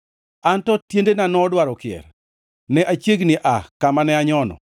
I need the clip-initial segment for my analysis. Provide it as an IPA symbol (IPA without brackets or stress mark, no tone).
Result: a